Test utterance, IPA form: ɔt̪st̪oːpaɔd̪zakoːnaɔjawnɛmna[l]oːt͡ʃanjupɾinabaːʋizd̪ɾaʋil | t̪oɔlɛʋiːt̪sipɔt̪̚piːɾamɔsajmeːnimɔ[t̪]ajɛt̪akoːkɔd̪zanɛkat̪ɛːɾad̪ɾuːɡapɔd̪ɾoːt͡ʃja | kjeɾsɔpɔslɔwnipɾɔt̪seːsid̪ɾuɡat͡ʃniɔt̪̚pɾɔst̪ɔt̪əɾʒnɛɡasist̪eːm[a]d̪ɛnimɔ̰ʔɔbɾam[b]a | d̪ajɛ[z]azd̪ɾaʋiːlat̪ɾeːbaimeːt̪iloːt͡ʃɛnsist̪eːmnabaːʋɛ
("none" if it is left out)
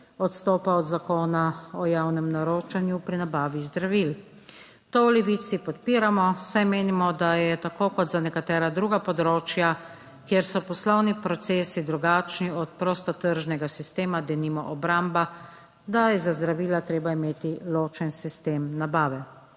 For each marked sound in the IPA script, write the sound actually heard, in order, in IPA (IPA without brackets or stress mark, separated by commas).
ɾ, d̪, a, b, z